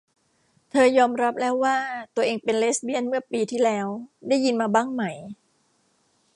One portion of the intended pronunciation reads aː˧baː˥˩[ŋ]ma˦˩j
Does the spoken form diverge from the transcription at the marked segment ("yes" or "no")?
no